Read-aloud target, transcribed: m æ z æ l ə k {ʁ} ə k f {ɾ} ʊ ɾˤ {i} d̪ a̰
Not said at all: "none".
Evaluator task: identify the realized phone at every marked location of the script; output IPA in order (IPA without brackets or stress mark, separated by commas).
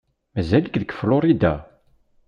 ð, l, i